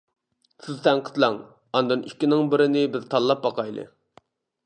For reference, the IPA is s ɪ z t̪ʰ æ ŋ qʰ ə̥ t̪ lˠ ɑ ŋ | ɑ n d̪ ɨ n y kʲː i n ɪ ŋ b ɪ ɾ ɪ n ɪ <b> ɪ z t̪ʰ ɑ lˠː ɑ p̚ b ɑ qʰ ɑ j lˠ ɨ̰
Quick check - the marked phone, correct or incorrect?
correct